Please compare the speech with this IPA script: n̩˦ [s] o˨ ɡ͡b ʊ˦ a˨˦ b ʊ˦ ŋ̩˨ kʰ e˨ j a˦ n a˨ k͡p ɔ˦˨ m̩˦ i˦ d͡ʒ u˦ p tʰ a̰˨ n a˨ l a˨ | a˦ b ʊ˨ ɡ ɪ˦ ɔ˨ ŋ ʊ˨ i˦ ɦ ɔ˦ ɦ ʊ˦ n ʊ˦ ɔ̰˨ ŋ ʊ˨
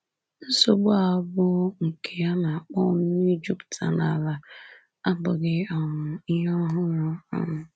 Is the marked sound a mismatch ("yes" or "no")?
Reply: no